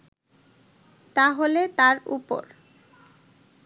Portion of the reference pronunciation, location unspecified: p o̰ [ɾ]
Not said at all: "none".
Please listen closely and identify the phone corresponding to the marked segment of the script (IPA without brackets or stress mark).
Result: ɾ